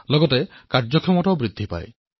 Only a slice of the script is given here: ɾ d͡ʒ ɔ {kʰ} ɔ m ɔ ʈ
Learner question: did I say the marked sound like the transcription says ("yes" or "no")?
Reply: yes